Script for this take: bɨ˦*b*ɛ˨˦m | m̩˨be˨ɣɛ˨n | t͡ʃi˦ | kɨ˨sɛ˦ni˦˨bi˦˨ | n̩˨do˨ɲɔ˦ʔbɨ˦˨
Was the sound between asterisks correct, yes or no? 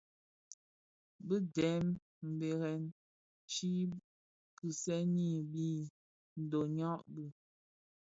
no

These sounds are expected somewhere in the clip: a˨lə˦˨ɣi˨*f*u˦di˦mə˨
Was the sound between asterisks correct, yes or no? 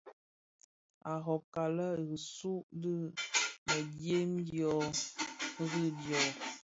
no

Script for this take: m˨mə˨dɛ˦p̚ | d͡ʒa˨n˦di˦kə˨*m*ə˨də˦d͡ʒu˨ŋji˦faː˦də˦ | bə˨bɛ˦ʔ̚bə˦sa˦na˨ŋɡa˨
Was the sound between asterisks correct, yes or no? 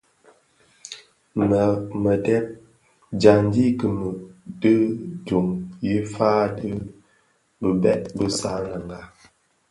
yes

